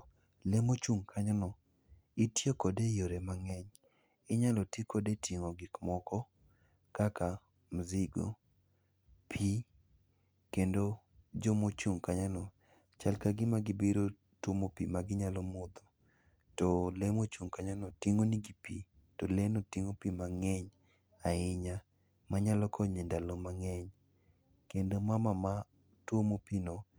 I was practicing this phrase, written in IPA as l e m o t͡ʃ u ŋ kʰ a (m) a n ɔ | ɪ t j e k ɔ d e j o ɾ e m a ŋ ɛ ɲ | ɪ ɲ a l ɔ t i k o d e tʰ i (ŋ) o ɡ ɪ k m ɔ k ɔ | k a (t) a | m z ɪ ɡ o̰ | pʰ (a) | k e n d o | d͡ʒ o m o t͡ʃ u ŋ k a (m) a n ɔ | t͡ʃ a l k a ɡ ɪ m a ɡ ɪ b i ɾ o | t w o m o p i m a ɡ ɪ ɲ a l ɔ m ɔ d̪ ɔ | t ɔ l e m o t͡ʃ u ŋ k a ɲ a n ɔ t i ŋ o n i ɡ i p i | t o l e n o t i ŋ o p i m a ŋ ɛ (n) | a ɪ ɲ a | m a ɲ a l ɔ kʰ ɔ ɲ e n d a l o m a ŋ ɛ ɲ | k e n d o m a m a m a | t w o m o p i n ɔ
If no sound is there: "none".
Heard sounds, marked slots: ɲ, ŋ, k, i, ɲ, ɲ

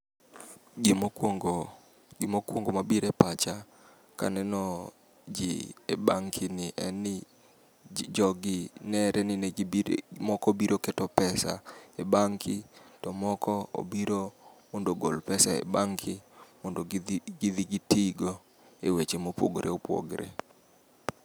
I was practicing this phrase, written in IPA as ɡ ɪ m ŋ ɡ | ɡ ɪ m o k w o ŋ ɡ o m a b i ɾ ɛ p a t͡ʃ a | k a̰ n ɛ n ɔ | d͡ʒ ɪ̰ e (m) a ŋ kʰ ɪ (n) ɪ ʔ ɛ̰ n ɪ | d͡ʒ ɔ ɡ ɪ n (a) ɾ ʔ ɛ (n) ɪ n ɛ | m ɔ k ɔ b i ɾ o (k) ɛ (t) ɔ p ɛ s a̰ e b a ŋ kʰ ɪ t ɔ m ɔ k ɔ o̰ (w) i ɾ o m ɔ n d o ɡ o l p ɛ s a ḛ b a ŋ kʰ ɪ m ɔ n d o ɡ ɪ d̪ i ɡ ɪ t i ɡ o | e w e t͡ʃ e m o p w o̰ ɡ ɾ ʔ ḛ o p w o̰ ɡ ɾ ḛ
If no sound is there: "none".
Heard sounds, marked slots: b, n, ɛ, n, k, t, b

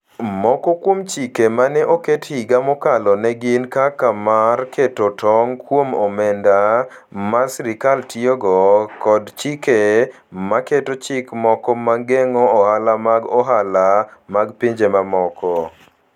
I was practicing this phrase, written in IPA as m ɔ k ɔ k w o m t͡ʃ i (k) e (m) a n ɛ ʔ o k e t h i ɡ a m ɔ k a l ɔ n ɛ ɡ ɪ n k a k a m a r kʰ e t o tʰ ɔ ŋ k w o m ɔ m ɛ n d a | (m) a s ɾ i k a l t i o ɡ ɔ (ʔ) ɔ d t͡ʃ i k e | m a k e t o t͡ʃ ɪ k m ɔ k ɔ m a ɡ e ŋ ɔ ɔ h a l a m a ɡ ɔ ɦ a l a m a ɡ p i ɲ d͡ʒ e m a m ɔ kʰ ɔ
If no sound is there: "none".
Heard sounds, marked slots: k, m, m, k

